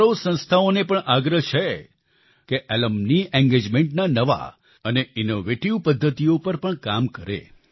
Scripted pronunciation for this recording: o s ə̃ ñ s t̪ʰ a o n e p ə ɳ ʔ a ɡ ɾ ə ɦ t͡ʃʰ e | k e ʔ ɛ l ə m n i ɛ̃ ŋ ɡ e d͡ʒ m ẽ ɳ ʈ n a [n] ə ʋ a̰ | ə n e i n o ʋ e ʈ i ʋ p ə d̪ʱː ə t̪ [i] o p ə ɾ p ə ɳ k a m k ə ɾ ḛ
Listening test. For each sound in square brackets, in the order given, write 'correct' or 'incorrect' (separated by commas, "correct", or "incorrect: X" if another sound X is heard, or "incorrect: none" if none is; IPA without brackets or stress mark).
correct, correct